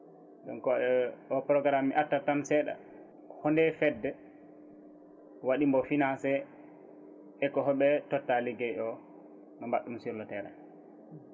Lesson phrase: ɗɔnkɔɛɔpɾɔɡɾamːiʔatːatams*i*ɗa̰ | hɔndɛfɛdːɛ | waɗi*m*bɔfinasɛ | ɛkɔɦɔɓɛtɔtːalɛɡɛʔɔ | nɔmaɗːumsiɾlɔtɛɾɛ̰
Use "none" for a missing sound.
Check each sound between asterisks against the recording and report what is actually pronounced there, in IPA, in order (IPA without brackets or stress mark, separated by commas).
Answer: ɛ, m